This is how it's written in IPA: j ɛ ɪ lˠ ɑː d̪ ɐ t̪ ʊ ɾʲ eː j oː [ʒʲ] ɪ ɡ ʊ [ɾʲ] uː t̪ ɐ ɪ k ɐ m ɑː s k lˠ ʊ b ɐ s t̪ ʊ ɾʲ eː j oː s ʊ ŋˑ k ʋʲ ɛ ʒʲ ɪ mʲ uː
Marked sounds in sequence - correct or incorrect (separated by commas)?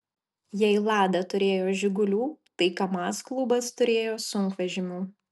correct, incorrect